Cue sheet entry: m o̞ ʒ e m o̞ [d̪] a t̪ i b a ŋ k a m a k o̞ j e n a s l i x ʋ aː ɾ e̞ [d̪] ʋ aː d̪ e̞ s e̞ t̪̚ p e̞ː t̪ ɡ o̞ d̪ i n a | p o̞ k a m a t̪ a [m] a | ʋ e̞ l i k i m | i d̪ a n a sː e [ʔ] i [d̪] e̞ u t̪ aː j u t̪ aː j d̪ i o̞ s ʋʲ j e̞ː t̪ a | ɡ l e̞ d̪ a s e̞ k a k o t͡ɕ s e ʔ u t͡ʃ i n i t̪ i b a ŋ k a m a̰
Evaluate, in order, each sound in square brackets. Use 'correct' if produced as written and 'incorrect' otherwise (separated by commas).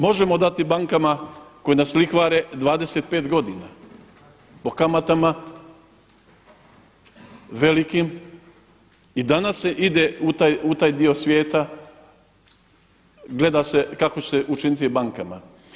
correct, correct, correct, correct, correct